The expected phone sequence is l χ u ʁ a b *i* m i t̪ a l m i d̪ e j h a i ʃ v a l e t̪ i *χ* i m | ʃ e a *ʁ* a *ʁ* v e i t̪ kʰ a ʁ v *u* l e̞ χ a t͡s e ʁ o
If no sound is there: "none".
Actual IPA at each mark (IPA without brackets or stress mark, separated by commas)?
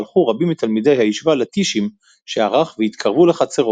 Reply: i, ʃ, ʁ, χ, u